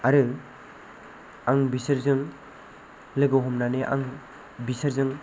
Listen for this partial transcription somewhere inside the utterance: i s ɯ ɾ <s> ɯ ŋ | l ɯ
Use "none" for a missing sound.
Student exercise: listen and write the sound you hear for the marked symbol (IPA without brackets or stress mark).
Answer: z